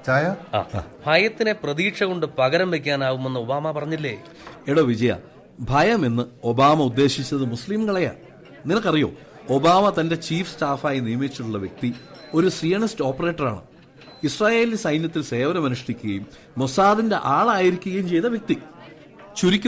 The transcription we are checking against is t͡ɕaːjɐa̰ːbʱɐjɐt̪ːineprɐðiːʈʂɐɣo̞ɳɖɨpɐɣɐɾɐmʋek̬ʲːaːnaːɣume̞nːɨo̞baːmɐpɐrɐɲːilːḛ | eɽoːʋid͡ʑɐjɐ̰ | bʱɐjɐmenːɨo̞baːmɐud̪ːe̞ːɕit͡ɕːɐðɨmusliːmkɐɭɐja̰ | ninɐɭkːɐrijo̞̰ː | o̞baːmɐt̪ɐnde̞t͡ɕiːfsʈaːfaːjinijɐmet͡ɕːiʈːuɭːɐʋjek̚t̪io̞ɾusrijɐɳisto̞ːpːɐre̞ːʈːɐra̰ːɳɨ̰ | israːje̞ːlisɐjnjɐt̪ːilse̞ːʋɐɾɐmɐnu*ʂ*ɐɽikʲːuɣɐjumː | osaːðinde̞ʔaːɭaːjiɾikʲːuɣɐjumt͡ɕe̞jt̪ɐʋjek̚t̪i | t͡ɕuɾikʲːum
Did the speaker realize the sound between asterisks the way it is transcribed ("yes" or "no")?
yes